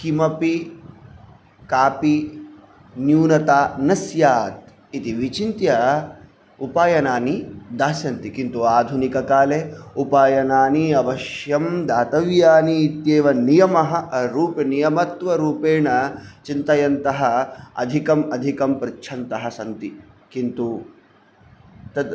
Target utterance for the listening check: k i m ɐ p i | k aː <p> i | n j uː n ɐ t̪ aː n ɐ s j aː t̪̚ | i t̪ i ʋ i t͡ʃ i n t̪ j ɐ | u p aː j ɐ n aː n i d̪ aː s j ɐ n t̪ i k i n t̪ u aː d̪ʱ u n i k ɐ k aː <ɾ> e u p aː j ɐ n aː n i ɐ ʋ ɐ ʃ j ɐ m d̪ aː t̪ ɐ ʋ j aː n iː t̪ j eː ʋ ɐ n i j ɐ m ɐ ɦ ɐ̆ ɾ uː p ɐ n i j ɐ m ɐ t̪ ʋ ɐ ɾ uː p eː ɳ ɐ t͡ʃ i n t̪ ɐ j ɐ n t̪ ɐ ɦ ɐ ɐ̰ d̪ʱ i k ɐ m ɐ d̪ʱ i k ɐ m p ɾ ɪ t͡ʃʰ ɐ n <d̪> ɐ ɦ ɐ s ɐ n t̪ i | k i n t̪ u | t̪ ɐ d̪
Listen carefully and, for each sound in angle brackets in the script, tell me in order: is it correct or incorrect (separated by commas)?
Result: correct, incorrect, incorrect